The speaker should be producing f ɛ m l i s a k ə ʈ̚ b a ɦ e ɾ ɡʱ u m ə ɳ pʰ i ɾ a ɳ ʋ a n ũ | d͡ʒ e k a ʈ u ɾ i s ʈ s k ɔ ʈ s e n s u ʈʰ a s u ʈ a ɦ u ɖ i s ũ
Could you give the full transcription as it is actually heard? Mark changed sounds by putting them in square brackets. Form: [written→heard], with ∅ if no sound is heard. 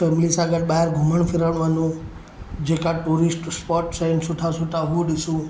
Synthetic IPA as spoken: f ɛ m l i s a [k→ɡ] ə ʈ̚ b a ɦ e ɾ ɡʱ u m ə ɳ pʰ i ɾ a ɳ ʋ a n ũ | d͡ʒ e k a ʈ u ɾ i s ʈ s [k→p] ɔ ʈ s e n s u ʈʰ a s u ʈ a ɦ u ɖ i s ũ